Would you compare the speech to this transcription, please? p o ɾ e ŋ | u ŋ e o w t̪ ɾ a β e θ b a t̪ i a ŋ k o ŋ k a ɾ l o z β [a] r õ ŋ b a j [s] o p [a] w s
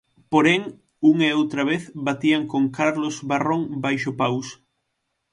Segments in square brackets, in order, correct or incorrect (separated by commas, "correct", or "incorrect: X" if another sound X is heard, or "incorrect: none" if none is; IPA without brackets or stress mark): correct, incorrect: ʃ, correct